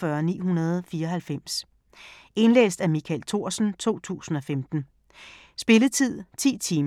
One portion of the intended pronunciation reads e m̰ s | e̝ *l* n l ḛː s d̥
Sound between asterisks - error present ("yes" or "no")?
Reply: yes